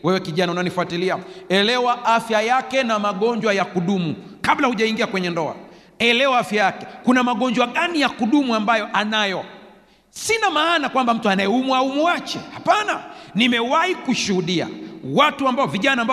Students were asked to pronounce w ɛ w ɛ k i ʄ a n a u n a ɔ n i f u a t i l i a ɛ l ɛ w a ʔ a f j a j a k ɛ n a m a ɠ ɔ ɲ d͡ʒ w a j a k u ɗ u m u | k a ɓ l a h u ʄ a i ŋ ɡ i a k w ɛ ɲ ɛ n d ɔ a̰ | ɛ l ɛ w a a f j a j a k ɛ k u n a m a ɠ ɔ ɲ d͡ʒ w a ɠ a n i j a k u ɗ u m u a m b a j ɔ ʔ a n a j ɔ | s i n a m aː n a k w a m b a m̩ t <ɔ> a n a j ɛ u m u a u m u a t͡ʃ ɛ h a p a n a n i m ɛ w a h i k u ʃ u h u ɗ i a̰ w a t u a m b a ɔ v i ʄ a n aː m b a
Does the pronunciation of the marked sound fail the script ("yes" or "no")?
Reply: yes